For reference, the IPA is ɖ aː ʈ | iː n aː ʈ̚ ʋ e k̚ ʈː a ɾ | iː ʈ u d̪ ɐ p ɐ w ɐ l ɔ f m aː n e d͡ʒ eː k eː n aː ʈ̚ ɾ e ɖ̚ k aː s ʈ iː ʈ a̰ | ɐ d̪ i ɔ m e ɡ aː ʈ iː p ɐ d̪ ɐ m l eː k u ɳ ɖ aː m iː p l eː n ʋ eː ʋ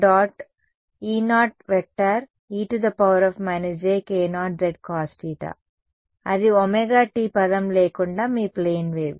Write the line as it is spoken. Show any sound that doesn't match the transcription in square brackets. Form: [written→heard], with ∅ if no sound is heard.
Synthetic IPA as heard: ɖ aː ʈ | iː n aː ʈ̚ ʋ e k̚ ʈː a ɾ | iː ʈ u d̪ ɐ p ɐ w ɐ [l→ɾ] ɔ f m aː n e d͡ʒ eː k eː n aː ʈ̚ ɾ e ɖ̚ k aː s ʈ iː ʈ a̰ | ɐ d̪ i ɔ m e ɡ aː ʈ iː p ɐ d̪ ɐ m l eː k u ɳ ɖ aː m iː p l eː n ʋ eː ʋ